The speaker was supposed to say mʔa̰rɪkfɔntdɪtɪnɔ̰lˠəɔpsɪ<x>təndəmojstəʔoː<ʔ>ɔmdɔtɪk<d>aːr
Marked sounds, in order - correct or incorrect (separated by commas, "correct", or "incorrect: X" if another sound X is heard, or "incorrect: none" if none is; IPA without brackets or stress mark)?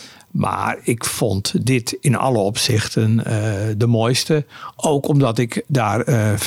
correct, incorrect: k, correct